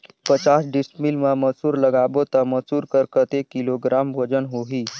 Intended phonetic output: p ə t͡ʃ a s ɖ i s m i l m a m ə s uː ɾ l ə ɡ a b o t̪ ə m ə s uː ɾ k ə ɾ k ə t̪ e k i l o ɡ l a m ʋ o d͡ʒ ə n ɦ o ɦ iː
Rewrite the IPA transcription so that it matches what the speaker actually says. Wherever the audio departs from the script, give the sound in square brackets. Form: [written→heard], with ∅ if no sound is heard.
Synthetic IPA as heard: p ə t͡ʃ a s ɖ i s m i l m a m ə s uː ɾ l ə ɡ a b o t̪ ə m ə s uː ɾ k ə ɾ k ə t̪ e k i l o ɡ [l→ɾ] a m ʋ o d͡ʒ ə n ɦ o ɦ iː